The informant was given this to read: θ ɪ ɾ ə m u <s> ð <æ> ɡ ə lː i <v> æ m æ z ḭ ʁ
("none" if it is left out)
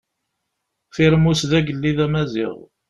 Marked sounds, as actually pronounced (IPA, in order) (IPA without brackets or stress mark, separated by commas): s, æ, ð